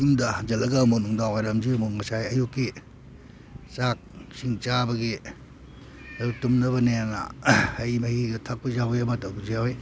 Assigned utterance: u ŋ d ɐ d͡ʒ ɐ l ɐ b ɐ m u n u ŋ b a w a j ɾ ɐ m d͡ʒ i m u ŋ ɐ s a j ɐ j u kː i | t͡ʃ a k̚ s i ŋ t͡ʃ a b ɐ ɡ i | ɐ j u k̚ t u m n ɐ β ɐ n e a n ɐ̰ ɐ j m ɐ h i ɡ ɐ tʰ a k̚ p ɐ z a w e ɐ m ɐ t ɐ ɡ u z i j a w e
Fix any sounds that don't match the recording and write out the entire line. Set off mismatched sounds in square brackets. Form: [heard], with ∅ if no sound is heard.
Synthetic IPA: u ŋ d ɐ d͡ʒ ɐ l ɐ [ɡ] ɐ m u n u ŋ [d] a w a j ɾ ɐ m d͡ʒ i m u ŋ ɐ s a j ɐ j u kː i | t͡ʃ a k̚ s i ŋ t͡ʃ a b ɐ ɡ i | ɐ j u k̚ t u m n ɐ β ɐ n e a n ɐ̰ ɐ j m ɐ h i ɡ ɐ tʰ a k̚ p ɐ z a w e ɐ m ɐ t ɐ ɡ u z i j a w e